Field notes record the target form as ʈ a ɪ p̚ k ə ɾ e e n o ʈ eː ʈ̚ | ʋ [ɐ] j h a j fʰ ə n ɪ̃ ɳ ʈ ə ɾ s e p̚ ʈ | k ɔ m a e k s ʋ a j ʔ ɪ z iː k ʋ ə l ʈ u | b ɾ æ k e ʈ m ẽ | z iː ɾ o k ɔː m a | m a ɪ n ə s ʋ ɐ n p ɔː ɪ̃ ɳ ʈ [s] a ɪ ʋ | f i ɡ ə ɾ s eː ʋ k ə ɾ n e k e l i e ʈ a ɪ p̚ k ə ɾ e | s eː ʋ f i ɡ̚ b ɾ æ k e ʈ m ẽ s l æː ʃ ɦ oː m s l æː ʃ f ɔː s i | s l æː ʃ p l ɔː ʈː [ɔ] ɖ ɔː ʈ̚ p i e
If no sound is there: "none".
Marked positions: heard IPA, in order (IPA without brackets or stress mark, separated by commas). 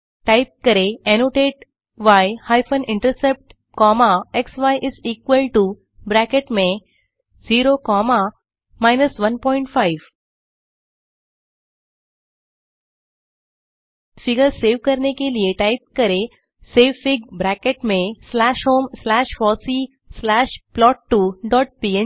a, f, u